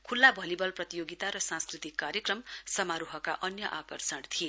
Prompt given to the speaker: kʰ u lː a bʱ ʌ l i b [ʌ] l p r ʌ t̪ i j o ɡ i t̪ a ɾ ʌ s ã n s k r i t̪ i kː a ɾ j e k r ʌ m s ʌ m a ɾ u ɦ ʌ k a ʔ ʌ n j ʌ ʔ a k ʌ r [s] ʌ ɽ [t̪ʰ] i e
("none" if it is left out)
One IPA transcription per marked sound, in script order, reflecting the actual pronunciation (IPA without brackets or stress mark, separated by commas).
ʌ, s, t̪ʰ